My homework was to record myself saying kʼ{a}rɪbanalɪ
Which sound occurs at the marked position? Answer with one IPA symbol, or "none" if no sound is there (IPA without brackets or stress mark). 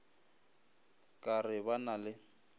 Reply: a